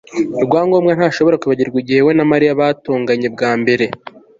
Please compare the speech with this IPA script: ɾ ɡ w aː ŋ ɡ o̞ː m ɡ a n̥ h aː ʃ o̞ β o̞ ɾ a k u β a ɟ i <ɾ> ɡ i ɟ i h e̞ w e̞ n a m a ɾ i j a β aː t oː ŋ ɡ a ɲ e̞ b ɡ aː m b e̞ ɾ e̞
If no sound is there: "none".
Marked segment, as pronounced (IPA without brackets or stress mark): ɾ